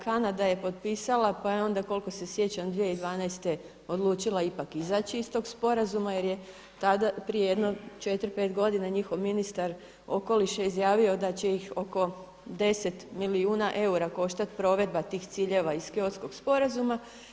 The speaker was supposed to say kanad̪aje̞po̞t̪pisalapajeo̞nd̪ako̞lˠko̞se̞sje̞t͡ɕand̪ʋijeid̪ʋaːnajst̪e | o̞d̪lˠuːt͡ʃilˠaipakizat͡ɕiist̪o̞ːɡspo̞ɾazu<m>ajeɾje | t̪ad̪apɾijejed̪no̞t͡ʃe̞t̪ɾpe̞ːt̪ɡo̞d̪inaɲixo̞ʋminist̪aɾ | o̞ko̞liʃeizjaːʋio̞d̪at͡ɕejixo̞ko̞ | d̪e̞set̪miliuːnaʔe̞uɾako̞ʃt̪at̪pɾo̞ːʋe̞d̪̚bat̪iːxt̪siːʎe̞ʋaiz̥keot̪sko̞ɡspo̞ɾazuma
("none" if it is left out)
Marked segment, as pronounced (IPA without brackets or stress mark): m